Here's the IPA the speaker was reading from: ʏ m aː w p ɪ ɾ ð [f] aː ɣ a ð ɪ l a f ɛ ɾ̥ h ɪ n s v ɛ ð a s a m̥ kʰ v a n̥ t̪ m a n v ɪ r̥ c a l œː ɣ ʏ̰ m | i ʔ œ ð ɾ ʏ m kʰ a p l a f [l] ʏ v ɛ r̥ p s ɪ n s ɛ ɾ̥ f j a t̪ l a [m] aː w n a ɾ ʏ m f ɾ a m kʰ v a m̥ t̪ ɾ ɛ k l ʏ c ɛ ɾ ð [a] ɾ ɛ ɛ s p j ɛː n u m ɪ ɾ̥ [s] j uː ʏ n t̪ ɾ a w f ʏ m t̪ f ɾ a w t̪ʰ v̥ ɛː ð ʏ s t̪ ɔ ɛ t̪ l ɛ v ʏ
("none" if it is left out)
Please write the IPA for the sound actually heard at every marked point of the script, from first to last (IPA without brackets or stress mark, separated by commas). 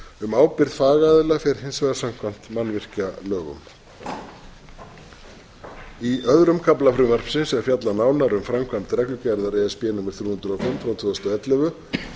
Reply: f, ɾ, n, a, θ